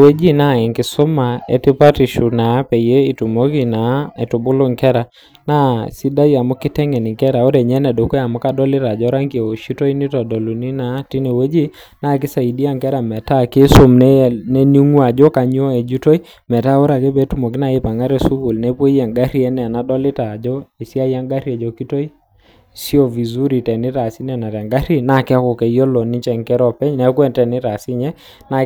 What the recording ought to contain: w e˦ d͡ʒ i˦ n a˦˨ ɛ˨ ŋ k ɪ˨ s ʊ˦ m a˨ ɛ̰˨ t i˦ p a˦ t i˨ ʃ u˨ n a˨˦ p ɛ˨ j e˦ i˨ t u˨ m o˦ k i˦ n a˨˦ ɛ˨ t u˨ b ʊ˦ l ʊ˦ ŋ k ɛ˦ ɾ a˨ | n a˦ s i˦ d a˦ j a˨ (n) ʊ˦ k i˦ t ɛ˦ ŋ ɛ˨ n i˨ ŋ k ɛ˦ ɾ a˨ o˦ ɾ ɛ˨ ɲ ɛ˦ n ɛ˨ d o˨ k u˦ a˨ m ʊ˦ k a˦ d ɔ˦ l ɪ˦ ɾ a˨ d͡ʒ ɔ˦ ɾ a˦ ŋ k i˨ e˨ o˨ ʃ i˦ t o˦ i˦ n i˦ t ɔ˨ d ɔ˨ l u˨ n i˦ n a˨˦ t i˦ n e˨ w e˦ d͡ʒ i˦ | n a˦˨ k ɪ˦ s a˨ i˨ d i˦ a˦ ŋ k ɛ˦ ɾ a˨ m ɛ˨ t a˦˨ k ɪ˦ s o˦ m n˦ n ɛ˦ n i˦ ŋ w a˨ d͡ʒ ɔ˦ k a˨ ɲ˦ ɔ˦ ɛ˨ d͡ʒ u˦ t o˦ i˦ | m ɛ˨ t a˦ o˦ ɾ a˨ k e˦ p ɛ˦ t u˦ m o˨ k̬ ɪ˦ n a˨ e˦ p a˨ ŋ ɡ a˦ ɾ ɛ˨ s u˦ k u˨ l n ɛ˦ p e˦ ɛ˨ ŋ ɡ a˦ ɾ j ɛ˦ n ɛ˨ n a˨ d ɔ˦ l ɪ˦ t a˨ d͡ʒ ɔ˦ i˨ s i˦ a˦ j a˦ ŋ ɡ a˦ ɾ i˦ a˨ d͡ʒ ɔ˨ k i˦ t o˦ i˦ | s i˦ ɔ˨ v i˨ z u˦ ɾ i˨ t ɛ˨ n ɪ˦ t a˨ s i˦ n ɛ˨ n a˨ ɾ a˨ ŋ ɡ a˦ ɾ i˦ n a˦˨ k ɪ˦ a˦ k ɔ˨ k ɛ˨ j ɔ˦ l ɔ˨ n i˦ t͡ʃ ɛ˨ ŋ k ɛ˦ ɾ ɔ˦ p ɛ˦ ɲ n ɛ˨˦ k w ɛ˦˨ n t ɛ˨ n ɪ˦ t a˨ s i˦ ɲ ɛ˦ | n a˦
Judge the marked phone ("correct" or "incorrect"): incorrect